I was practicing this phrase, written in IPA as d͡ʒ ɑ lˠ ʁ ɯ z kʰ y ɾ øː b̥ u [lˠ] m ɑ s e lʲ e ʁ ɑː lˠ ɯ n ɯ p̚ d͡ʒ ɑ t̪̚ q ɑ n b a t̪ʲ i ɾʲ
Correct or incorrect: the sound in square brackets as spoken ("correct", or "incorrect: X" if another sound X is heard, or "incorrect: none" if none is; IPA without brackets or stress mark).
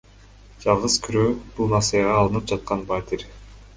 correct